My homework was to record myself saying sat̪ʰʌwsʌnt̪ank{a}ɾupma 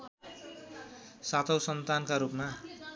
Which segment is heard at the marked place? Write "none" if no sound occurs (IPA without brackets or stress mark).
a